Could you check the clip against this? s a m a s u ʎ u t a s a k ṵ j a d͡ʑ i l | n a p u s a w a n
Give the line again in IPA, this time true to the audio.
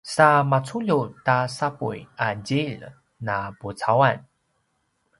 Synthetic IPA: s a m a t͡s u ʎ u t a s a p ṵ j a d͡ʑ i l | n a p u t͡s a w a n